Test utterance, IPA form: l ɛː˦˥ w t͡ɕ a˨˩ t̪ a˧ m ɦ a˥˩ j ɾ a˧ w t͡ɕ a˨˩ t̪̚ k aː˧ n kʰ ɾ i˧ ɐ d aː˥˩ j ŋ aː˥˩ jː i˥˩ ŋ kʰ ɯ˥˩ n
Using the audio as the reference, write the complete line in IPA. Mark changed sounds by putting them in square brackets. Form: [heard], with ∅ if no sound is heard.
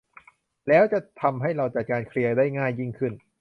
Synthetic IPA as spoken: l ɛː˦˥ w t͡ɕ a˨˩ [t̪ʰ] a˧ m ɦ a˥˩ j ɾ a˧ w t͡ɕ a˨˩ t̪̚ k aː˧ n kʰ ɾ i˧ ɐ d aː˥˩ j ŋ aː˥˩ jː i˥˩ ŋ kʰ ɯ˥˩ n